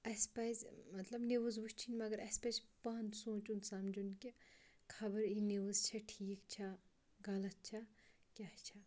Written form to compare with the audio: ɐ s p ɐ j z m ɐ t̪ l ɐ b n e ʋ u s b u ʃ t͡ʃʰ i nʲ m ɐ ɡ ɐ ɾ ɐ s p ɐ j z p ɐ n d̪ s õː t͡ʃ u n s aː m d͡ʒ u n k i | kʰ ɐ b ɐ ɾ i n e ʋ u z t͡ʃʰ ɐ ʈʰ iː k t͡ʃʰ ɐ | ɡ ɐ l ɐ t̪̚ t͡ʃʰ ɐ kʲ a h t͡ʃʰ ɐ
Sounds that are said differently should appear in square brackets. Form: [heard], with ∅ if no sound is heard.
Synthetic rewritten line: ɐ s p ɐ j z m ɐ t̪ l ɐ b n e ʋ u [z] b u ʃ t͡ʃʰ i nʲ m ɐ ɡ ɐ ɾ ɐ s p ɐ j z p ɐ n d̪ s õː t͡ʃ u n s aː m d͡ʒ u n k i | kʰ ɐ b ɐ ɾ i n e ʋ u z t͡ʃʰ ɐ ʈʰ iː k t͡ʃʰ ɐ | ɡ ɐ l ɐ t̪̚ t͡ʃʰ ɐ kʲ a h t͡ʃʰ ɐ